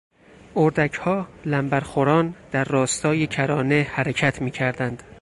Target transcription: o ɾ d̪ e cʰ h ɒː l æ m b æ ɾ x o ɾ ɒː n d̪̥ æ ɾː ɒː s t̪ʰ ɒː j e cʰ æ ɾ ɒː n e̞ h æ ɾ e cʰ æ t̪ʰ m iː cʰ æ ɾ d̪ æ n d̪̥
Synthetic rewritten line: o ɾ d̪ æ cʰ h ɒː l æ m b æ ɾ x o ɾ ɒː n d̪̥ æ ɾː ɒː s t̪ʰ ɒː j e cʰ æ ɾ ɒː n e̞ h æ ɾ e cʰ æ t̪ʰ m iː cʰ æ ɾ d̪ æ n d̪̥